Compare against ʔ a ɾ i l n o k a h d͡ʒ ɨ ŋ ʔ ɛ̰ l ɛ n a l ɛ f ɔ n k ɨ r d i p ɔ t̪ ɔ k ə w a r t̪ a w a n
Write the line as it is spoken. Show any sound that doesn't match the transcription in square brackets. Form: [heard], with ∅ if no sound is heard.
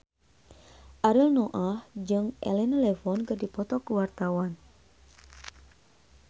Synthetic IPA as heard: ʔ a ɾ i l n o [ʔ] a h d͡ʒ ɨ ŋ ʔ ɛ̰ l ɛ n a l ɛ f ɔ n k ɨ r d i p ɔ t̪ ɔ k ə w a r t̪ a w a n